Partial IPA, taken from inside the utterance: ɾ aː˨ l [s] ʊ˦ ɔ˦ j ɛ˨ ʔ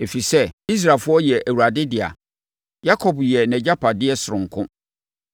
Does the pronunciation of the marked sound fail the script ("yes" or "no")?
yes